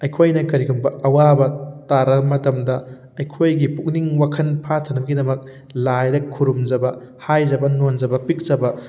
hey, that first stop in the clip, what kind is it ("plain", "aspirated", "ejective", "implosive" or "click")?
aspirated